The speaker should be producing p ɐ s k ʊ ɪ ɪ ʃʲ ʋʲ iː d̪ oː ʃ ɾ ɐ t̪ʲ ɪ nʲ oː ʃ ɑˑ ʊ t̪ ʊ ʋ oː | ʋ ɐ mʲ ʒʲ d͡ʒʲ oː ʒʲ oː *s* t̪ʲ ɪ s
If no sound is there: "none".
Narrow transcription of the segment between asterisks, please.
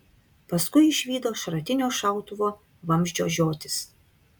none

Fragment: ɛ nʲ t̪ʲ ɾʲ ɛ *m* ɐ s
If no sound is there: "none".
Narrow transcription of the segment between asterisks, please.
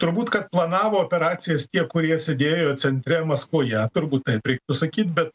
m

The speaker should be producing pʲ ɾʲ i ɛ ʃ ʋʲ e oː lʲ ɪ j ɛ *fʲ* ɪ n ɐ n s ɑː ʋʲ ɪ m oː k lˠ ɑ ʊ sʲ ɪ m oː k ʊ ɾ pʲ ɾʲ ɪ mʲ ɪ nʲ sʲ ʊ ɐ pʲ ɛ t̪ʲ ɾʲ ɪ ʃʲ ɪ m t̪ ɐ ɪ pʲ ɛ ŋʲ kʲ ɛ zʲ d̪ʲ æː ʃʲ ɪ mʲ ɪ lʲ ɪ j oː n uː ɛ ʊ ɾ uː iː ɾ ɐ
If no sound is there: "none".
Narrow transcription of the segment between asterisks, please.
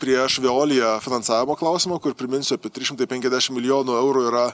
fʲ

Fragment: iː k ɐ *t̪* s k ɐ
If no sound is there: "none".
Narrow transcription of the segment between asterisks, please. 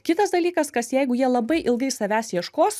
none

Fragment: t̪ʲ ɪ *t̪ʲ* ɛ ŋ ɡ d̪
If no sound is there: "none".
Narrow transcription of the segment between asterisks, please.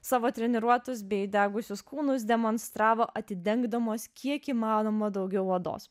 d̪ʲ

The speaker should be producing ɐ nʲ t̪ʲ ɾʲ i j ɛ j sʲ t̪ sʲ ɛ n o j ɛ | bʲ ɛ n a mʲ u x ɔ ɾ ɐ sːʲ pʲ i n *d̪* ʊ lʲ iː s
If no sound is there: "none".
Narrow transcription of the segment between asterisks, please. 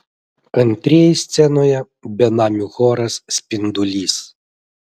d̪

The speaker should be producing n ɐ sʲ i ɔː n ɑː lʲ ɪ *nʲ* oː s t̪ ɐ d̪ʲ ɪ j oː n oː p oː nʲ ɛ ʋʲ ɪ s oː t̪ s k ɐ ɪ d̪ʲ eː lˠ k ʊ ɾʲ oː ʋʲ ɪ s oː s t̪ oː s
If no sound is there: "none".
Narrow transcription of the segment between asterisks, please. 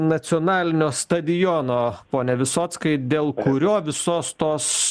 nʲ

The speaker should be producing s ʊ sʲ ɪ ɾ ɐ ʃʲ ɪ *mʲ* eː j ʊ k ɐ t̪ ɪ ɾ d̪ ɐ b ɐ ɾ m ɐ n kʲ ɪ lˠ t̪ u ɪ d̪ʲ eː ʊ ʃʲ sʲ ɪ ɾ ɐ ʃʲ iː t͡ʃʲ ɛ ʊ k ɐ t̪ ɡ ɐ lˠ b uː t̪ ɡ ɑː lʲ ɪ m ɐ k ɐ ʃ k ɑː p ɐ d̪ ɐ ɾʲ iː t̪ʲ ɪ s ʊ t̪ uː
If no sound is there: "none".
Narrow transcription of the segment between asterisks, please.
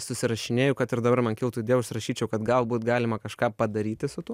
nʲ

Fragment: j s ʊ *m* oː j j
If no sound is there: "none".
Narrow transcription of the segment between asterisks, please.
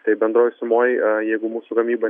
m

